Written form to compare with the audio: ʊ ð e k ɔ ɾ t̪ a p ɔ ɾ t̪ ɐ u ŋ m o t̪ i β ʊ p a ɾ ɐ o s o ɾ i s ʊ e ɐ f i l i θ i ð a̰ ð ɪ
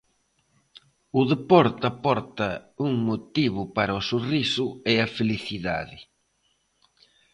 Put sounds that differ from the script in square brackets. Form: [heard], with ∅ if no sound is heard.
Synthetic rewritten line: ʊ ð e [p] ɔ ɾ t̪ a p ɔ ɾ t̪ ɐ u ŋ m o t̪ i β ʊ p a ɾ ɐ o s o [r] i s ʊ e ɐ f [e] l i θ i ð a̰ ð ɪ